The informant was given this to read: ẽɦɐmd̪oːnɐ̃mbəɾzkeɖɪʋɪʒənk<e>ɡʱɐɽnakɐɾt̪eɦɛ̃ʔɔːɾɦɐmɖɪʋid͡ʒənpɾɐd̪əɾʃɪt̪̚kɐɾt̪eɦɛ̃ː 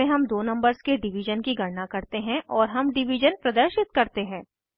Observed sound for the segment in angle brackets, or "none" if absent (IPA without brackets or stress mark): i